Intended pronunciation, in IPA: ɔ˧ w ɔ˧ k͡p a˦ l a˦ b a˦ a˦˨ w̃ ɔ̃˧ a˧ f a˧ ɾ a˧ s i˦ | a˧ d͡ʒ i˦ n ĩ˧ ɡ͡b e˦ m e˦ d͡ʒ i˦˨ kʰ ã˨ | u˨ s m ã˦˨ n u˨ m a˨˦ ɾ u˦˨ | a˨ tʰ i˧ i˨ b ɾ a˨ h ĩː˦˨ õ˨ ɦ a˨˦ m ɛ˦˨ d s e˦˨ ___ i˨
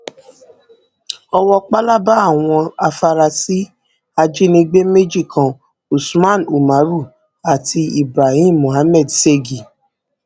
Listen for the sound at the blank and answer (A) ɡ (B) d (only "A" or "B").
A